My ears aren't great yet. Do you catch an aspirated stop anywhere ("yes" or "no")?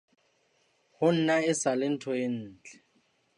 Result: yes